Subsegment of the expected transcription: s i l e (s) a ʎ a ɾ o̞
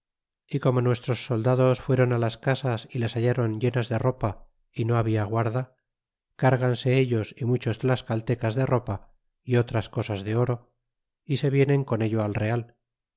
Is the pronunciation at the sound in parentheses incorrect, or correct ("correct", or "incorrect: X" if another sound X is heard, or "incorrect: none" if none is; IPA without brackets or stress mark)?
correct